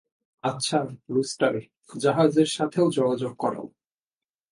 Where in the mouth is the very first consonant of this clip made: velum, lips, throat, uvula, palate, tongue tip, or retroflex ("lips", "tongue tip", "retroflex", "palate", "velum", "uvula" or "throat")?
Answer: tongue tip